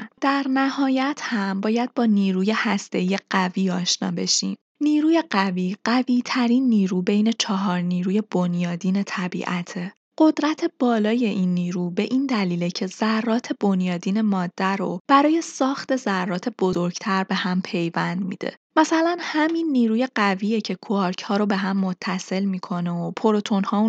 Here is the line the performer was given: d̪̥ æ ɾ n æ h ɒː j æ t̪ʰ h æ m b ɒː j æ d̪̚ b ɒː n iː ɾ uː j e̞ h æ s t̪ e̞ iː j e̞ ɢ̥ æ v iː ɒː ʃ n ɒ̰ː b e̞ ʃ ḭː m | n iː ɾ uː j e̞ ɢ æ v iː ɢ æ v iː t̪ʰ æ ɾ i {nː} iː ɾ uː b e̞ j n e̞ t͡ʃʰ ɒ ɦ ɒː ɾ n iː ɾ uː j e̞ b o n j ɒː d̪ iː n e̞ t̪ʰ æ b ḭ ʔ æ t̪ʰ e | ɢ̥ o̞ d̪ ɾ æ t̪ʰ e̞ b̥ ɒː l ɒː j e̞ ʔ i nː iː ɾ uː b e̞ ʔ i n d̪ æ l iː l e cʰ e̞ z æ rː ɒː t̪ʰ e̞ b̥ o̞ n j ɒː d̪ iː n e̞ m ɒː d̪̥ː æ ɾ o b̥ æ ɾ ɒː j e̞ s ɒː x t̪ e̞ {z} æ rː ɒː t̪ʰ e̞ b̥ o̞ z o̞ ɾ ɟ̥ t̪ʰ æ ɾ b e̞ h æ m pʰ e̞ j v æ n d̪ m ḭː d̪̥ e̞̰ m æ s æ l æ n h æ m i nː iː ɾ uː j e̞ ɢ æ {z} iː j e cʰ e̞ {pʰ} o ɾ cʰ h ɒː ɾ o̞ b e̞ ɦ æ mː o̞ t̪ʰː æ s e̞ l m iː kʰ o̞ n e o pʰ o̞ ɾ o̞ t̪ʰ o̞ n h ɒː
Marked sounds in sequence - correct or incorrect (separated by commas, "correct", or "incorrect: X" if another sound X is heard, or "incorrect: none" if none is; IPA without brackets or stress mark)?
correct, correct, incorrect: v, incorrect: kʰ